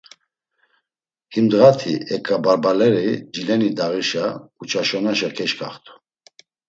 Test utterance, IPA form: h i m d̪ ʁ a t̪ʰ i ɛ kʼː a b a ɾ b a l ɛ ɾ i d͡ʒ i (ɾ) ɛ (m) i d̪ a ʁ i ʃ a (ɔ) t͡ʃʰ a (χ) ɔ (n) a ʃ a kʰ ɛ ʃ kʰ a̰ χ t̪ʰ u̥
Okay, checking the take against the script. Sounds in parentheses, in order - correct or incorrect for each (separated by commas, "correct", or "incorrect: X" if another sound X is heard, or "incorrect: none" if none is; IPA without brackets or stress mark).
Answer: incorrect: l, incorrect: n, incorrect: u, incorrect: ʃ, correct